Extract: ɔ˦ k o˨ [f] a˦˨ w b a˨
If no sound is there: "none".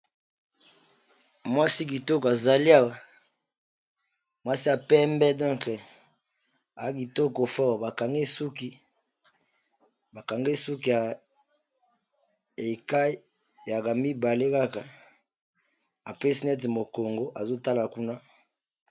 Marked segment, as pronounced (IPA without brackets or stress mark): f